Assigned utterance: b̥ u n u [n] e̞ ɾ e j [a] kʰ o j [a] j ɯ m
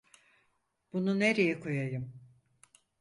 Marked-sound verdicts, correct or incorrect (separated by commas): correct, incorrect, correct